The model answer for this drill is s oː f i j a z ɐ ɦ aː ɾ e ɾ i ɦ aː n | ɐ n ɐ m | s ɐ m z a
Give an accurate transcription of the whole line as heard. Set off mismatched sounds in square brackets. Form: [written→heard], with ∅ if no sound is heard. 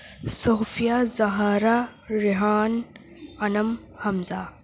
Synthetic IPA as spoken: s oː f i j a z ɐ ɦ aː ɾ [e→a] ɾ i ɦ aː n | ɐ n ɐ m | [s→h] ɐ m z a